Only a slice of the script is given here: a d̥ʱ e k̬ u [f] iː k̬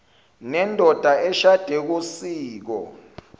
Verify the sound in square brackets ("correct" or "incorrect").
incorrect